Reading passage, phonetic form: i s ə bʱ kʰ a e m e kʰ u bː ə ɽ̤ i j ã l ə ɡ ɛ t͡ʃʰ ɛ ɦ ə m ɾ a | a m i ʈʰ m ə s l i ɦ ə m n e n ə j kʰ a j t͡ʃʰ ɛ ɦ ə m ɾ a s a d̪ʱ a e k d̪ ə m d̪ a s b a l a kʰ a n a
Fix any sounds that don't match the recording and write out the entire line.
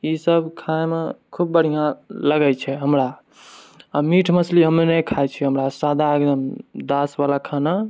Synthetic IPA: i s ə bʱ kʰ a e m e kʰ u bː ə ɽ̤ i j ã l ə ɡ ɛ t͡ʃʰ ɛ ɦ ə m ɾ a | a m i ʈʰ m ə s l i ɦ ə m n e n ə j kʰ a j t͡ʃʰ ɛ ɦ ə m ɾ a s a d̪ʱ a e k d̪ ə m d̪ a s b a l a kʰ a n a

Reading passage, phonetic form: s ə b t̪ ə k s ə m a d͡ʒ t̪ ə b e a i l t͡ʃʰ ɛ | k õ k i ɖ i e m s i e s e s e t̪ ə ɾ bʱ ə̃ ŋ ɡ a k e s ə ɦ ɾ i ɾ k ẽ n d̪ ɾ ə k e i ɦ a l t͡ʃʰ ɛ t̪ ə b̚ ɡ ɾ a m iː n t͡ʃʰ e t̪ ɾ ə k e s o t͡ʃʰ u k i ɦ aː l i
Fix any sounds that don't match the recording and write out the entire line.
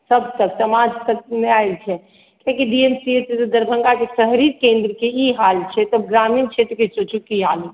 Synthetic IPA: s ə b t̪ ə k s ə m a d͡ʒ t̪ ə m e a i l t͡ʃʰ ɛ | k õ k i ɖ i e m s i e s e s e d̪ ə ɾ bʱ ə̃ ŋ ɡ a k e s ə ɦ ɾ i ɾ k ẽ n d̪ ɾ ə k e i ɦ a l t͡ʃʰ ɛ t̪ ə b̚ ɡ ɾ a m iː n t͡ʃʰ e t̪ ɾ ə k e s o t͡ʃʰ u k i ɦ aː l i

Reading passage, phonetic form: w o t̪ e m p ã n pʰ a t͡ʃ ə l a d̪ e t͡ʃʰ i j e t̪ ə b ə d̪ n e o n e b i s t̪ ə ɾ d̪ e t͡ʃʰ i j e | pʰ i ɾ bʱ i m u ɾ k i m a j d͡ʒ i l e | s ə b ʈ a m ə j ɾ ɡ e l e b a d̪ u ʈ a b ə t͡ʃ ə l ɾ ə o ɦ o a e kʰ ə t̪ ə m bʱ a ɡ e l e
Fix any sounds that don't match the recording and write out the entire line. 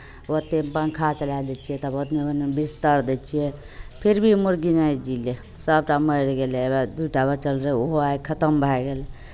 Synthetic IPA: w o t̪ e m p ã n kʰ a t͡ʃ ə l a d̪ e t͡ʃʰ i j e t̪ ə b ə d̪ n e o n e b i s t̪ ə ɾ d̪ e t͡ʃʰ i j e | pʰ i ɾ bʱ i m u ɾ ɡ i n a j d͡ʒ i l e | s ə b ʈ a m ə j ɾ ɡ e l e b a d̪ u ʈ a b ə t͡ʃ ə l ɾ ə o ɦ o a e kʰ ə t̪ ə m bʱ a ɡ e l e

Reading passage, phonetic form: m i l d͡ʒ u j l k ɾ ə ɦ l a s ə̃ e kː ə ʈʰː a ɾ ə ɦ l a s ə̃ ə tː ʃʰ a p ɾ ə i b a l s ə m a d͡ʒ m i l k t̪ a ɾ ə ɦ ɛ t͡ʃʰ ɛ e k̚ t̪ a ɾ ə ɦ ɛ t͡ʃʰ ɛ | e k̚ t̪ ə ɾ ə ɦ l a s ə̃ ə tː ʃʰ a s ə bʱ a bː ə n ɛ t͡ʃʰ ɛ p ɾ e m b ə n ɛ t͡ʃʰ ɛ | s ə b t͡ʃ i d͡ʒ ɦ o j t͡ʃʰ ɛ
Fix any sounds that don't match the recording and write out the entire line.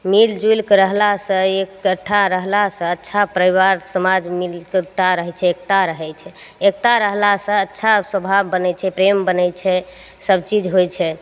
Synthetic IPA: m i l d͡ʒ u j l k ɾ ə ɦ l a s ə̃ e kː ə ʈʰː a ɾ ə ɦ l a s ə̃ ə tː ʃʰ a p ɾ ə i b a ɾ s ə m a d͡ʒ m i l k t̪ a ɾ ə ɦ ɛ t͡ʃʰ ɛ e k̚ t̪ a ɾ ə ɦ ɛ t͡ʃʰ ɛ | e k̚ t̪ a ɾ ə ɦ l a s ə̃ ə tː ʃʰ a s ə bʱ a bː ə n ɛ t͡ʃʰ ɛ p ɾ e m b ə n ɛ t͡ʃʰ ɛ | s ə b t͡ʃ i d͡ʒ ɦ o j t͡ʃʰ ɛ

